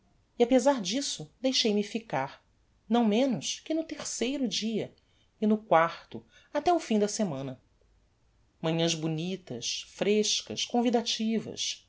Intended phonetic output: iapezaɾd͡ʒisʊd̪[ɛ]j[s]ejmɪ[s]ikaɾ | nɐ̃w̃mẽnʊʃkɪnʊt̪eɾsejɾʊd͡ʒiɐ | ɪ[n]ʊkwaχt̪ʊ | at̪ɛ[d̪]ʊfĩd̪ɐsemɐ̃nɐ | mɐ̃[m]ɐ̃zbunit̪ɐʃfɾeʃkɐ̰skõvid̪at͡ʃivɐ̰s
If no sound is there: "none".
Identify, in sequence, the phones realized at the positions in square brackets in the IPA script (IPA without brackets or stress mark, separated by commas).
e, ʃ, f, n, none, ɲ